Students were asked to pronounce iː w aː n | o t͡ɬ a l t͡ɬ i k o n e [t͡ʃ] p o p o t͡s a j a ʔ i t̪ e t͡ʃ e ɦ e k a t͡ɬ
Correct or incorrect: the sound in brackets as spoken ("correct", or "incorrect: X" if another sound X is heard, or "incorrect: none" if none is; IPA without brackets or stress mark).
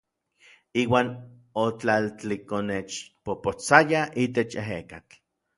correct